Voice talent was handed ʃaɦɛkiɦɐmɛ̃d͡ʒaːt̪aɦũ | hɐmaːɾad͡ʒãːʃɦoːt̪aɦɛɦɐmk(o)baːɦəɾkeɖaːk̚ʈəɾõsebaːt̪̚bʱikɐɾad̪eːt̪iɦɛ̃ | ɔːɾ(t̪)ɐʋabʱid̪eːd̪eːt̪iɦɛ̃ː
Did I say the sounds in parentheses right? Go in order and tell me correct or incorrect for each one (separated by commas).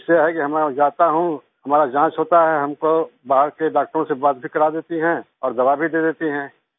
correct, incorrect